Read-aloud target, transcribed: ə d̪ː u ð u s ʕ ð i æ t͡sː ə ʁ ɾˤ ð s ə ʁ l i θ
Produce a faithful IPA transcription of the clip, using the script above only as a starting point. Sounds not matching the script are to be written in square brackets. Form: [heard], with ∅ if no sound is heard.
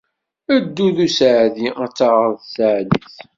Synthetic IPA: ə d̪ː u ð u s ʕ ð i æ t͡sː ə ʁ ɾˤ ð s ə [ʕ] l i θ